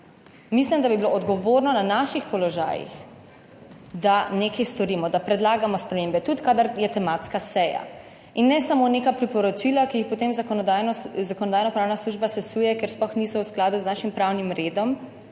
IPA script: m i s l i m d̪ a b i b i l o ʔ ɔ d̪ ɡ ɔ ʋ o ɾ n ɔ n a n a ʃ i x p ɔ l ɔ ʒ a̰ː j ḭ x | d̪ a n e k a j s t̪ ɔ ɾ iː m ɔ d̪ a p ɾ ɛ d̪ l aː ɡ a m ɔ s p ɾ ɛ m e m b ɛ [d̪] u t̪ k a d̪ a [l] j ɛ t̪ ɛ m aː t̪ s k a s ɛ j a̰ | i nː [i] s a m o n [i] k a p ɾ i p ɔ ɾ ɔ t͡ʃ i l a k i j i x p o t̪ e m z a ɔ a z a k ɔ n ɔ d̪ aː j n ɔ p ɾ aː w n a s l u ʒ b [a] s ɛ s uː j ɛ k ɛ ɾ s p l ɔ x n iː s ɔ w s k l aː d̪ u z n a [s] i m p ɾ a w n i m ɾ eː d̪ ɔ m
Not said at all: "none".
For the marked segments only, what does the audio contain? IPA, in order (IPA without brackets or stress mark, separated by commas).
t̪, ɾ, ɛ, e, a, ʃ